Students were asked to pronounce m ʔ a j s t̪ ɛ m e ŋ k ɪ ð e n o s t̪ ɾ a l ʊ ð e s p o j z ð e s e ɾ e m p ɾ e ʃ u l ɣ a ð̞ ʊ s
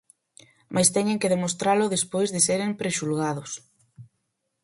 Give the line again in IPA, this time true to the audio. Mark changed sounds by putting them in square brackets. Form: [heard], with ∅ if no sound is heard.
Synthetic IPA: m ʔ a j s t̪ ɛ [ɲ] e ŋ k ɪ ð e [m] o s t̪ ɾ a l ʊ ð e s p o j z ð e s e ɾ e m p ɾ e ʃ u l ɣ a ð̞ ʊ s